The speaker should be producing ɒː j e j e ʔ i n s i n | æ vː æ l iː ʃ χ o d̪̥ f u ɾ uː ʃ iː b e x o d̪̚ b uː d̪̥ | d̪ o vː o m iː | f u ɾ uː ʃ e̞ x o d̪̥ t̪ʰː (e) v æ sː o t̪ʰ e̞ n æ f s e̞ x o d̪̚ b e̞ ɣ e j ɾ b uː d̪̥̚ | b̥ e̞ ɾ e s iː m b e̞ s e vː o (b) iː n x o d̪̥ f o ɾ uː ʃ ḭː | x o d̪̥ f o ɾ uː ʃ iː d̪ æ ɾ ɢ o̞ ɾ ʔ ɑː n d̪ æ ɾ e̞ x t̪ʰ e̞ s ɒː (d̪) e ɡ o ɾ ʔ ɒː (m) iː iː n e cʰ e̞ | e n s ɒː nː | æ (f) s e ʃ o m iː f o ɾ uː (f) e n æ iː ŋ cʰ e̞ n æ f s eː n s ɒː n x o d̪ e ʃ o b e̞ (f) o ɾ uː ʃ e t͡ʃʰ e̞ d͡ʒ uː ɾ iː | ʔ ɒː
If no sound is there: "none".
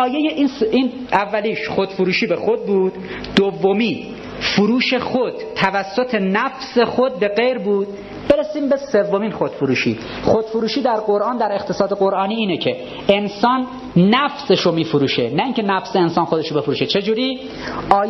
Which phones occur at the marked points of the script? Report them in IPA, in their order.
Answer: æ, m, d̪, n, f, ʃ, f

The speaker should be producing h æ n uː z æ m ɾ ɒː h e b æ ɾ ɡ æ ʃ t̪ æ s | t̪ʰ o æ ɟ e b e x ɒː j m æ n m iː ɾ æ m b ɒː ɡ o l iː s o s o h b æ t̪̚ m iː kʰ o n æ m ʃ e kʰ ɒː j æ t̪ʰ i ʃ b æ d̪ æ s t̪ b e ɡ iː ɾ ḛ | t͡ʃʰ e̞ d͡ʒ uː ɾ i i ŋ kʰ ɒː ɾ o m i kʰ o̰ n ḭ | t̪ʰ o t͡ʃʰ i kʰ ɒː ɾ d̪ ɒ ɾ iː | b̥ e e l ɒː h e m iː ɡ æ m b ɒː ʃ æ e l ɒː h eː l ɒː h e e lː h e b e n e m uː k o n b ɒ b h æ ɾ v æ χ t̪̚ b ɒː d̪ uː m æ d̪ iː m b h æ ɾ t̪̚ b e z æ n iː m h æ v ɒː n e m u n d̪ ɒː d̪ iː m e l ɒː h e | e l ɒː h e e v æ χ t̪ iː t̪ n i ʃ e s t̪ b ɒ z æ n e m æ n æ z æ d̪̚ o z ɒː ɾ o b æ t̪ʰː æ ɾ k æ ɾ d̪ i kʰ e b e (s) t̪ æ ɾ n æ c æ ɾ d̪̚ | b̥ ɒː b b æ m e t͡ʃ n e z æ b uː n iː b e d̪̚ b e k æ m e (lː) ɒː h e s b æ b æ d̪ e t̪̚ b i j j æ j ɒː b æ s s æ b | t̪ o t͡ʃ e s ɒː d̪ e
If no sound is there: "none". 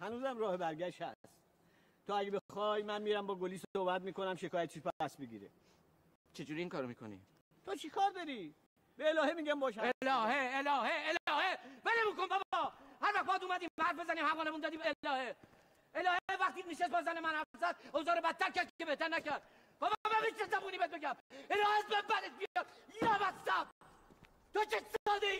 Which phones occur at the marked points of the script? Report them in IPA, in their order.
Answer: h, l

